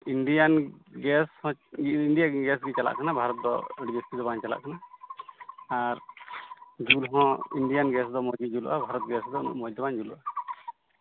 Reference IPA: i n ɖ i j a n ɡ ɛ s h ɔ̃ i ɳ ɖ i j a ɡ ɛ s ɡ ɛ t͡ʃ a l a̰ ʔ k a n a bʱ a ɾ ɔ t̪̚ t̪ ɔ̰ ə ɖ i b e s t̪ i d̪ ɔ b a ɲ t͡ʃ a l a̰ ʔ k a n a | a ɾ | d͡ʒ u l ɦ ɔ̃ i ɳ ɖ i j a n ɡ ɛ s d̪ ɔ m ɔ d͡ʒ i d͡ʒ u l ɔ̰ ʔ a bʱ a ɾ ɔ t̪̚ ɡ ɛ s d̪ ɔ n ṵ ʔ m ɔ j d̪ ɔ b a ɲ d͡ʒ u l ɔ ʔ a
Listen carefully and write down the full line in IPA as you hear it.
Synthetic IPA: i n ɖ i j a n ɡ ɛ s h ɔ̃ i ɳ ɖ i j a ɡ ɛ s ɡ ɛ t͡ʃ a l a̰ ʔ k a n a bʱ a ɾ ɔ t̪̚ d̪ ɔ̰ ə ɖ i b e s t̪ i d̪ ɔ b a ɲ t͡ʃ a l a̰ ʔ k a n a | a ɾ | d͡ʒ u l ɦ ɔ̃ i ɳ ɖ i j a n ɡ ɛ s d̪ ɔ m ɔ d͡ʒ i d͡ʒ u l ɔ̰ ʔ a bʱ a ɾ ɔ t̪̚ ɡ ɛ s d̪ ɔ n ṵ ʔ m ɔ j d̪ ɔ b a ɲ d͡ʒ u l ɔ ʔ a